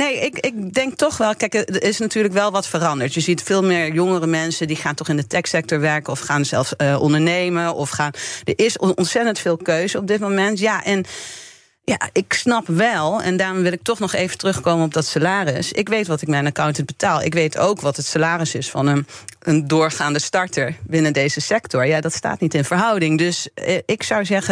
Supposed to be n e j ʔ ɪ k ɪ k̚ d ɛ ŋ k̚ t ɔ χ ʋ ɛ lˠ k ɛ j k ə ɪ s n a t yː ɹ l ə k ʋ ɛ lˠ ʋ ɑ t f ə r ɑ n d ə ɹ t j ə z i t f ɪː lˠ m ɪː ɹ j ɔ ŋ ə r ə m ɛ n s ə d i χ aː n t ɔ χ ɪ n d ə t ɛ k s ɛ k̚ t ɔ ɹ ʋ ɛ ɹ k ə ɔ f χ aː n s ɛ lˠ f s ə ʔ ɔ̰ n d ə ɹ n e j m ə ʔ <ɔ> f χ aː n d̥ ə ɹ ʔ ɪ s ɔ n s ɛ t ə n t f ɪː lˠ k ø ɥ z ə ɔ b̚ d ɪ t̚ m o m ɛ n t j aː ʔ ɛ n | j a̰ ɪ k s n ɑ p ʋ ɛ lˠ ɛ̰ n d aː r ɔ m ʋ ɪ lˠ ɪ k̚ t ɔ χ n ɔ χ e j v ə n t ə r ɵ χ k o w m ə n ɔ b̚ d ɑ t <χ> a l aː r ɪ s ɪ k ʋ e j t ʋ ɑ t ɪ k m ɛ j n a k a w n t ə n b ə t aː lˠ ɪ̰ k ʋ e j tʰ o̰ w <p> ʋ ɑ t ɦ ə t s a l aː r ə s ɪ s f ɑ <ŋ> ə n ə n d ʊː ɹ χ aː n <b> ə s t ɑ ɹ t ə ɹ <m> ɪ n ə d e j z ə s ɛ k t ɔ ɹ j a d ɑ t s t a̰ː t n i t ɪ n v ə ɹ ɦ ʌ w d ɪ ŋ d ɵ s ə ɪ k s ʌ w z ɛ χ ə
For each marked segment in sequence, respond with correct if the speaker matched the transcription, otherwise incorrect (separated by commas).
correct, incorrect, incorrect, incorrect, incorrect, incorrect